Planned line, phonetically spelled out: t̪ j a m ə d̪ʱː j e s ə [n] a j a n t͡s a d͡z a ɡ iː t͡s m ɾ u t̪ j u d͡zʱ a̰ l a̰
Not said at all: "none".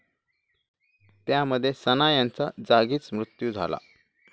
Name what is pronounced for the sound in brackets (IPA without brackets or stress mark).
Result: n